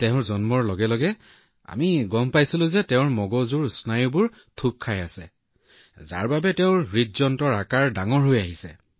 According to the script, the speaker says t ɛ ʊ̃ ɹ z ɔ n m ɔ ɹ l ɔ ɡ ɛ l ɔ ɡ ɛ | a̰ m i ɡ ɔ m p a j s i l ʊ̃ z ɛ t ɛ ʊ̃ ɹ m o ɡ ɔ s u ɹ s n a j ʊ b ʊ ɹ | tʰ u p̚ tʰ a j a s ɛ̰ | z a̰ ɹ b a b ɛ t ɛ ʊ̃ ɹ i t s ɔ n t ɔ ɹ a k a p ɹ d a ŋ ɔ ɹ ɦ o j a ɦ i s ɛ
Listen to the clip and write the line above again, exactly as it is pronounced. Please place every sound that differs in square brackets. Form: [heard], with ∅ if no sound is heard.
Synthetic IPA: t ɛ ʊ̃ ɹ z ɔ n m ɔ ɹ l ɔ ɡ ɛ l ɔ ɡ ɛ | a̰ m i ɡ ɔ m p a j s i l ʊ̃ z ɛ t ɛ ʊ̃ ɹ m [ɔ] ɡ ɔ [z] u ɹ s n a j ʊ b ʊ ɹ | tʰ u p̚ [kʰ] a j a s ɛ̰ | z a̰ ɹ b a b ɛ t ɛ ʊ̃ ɹ i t [z] ɔ n t ɔ ɹ a k a [∅] ɹ d a ŋ ɔ ɹ ɦ o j a ɦ i s ɛ